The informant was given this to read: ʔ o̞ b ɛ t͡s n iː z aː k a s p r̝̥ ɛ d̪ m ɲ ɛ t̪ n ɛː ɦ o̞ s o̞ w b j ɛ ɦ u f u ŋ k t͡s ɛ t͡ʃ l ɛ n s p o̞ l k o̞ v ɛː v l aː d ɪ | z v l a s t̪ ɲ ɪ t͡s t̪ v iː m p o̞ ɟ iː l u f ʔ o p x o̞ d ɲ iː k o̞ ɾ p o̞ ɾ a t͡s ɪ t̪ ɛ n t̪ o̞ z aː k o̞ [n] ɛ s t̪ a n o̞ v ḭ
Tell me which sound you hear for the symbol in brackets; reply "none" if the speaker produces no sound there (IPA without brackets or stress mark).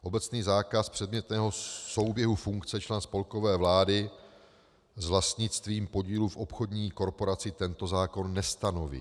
nː